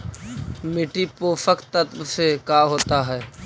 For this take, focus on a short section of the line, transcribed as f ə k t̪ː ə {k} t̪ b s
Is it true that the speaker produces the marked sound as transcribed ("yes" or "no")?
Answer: no